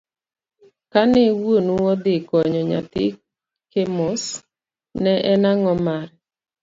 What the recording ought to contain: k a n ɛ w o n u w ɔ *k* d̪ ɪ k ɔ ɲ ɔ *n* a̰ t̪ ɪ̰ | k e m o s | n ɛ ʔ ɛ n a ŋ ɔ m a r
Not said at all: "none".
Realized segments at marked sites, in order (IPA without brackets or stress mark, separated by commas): none, ɲ